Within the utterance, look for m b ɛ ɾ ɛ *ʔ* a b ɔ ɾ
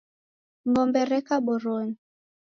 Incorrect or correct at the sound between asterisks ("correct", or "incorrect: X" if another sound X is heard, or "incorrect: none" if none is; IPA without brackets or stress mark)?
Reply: incorrect: k